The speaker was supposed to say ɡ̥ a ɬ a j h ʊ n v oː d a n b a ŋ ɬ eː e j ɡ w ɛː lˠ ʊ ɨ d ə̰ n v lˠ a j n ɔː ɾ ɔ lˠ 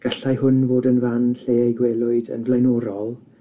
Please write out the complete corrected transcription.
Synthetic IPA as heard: ɡ̥ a ɬ a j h ʊ n v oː d ə n v a n ɬ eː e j ɡ w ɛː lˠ ʊ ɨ d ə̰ n v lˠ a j n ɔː ɾ ɔ lˠ

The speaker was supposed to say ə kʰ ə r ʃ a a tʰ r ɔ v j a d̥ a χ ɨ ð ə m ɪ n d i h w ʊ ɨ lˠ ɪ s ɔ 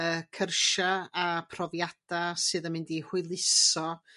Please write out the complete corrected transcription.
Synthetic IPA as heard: ə kʰ ə r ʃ a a pʰ r ɔ v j a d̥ a s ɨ ð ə m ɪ n d i h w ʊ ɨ lˠ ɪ s ɔ

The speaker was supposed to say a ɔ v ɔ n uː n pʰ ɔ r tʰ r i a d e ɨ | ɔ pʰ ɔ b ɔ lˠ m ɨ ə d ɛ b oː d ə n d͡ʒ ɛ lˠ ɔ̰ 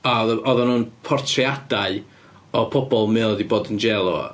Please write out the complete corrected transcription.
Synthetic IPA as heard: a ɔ ð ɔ n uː n pʰ ɔ r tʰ r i a d a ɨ | ɔ pʰ ɔ b ɔ lˠ m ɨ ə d i b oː d ə n d͡ʒ ɛ lˠ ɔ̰

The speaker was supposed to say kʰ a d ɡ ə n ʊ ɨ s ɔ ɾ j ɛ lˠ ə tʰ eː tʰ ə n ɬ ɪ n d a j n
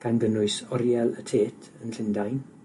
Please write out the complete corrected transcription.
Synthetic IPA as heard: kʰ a n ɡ ə n ʊ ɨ s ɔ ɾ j ɛ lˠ ə tʰ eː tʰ ə n ɬ ɪ n d a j n

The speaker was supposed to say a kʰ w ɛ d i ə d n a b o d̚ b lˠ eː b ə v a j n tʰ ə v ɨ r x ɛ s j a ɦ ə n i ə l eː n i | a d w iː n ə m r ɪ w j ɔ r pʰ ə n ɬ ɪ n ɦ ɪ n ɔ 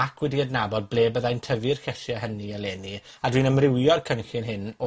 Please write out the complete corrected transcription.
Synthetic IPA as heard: a kʰ w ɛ d i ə d n a b ɔ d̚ b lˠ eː b ə ð a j n tʰ ə v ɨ r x ɛ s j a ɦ ə n i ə l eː n i | a d w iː n ə m r ɪ w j ɔ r kʰ ə n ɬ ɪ n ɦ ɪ n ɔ

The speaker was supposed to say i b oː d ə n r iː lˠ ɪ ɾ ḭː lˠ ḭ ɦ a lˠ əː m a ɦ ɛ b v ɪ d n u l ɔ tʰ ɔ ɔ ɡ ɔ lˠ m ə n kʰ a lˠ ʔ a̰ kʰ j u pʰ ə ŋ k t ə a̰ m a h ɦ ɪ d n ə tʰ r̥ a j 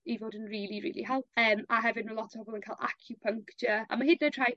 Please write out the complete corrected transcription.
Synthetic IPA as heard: i v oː d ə n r iː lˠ i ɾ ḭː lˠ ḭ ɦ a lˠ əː m a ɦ ɛ v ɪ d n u l ɔ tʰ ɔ ɔ b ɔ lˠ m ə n kʰ a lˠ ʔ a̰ kʰ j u pʰ ə ŋ k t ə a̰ m a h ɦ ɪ d n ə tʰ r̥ a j

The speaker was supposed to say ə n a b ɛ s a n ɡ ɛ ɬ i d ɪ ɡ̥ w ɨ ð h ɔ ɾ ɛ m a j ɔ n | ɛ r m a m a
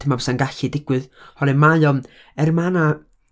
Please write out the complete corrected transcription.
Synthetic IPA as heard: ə m a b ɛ s a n ɡ a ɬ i d ɪ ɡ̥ w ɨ ð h ɔ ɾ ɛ m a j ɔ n | ɛ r m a n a

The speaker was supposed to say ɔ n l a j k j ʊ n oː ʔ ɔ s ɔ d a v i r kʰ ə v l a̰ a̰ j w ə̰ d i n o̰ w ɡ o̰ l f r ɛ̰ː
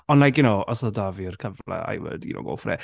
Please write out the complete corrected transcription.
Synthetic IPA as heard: ɔ n l a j k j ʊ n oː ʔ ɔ s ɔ d a v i r kʰ ə v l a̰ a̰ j w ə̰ d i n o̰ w ɡ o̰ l f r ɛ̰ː

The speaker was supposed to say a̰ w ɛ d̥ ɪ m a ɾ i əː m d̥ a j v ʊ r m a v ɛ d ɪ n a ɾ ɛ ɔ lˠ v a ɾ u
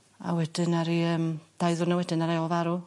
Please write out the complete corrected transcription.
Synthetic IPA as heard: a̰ w ɛ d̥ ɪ n a ɾ i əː m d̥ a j ð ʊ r n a w ɛ d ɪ n a ɾ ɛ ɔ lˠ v a ɾ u

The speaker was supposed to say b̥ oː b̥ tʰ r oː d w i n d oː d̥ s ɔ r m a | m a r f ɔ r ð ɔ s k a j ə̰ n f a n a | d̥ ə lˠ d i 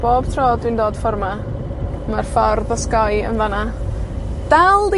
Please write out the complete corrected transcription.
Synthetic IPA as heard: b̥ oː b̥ tʰ r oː d w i n d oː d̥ f ɔ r m a | m a r f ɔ r ð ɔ s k a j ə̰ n v a n a | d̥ a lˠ d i

